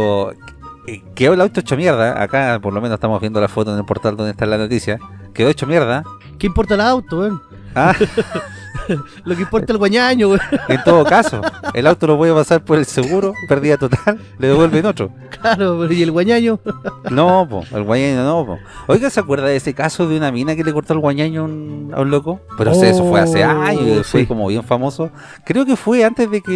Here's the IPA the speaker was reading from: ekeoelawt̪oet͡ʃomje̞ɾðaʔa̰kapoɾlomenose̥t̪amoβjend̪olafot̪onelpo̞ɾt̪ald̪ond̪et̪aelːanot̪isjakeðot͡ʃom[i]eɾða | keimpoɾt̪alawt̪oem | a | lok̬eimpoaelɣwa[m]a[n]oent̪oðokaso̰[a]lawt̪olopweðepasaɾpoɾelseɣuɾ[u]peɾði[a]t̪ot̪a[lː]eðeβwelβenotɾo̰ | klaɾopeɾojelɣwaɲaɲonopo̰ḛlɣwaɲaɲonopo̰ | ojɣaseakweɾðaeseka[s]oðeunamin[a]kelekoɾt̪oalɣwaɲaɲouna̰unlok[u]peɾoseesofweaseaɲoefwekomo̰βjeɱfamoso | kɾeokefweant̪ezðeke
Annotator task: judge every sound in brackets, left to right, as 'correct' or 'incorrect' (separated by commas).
incorrect, incorrect, incorrect, incorrect, incorrect, correct, correct, correct, correct, incorrect